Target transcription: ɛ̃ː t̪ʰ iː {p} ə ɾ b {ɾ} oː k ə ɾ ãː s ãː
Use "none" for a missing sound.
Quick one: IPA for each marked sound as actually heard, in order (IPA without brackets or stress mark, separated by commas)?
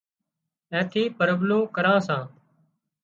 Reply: p, l